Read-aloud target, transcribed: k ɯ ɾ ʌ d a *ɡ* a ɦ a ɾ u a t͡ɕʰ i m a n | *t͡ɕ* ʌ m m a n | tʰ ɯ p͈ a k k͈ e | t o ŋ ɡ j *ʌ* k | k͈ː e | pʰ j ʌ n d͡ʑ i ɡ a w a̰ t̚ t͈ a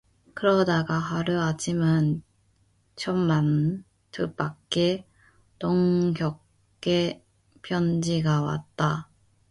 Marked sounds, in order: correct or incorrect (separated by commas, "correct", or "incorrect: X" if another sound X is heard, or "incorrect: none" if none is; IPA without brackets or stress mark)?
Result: correct, incorrect: t͡ɕʰ, correct